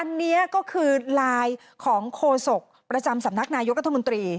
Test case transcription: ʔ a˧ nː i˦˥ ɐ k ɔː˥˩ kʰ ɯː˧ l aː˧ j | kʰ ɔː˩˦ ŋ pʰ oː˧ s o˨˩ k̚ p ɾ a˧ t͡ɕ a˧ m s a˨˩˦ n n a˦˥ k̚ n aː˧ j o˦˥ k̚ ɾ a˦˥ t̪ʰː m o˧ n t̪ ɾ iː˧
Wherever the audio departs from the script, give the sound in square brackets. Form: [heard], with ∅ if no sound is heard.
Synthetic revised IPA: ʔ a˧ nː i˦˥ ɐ k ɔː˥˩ kʰ ɯː˧ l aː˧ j | kʰ ɔː˩˦ ŋ [kʰ] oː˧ s o˨˩ k̚ p ɾ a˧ t͡ɕ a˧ m s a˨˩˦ [m] n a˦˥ k̚ n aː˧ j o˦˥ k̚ ɾ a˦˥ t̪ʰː m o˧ n t̪ ɾ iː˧